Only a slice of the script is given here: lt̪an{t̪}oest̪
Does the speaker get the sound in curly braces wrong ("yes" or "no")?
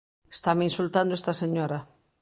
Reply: yes